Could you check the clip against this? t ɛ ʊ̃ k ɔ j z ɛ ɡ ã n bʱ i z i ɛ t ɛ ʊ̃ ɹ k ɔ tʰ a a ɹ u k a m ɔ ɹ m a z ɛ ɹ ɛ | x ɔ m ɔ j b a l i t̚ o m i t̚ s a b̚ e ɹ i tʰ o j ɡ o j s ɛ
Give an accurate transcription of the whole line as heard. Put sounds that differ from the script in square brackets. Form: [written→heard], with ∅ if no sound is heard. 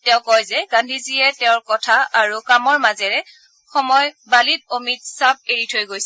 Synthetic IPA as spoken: t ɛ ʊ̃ k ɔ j z ɛ ɡ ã n [bʱ→dʱ] i z i ɛ t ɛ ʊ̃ ɹ k ɔ tʰ a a ɹ u k a m ɔ ɹ m a z ɛ ɹ ɛ | x ɔ m ɔ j b a l i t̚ o m i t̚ s a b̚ e ɹ i tʰ o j ɡ o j s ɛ